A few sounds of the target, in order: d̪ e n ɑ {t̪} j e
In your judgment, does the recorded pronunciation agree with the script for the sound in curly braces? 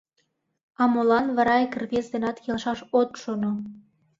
yes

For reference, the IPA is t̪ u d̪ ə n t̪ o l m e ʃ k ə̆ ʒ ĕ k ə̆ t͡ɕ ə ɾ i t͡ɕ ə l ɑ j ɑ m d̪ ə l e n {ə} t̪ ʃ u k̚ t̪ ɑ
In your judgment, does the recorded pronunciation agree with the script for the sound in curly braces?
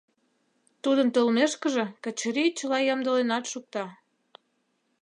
no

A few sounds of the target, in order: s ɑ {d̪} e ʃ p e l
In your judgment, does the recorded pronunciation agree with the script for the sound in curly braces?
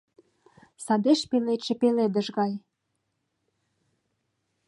yes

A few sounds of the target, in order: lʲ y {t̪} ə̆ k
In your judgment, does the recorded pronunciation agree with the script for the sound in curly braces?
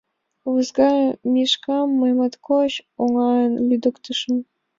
no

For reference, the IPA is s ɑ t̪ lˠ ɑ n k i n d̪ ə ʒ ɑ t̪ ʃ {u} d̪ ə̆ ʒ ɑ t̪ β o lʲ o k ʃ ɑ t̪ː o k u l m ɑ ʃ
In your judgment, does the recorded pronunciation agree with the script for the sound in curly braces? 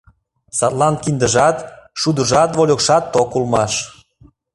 yes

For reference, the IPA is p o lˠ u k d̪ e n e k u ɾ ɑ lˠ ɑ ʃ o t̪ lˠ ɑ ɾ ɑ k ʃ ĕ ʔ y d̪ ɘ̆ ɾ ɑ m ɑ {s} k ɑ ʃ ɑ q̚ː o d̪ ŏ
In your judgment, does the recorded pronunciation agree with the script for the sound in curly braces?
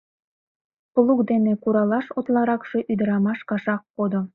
no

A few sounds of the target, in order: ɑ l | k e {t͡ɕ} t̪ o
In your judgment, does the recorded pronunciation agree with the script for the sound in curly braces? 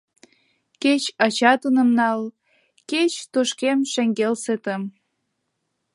yes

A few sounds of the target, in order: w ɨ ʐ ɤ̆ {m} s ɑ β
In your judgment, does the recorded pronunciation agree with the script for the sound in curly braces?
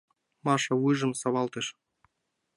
yes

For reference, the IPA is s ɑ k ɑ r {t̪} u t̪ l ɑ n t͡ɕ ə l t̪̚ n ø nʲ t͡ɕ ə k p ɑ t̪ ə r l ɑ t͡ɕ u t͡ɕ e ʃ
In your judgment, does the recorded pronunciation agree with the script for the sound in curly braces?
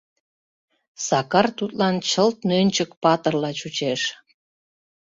yes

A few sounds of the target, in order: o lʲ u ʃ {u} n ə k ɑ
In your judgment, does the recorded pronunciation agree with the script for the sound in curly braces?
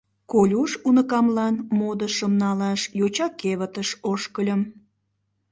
yes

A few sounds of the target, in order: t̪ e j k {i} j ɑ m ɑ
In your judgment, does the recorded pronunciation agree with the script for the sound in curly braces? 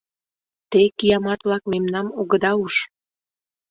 yes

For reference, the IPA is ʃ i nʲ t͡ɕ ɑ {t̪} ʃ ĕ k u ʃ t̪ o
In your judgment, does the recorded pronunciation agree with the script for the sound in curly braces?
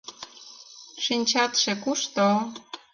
yes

